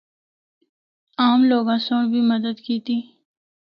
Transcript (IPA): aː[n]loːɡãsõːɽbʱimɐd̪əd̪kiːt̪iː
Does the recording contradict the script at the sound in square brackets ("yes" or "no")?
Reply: yes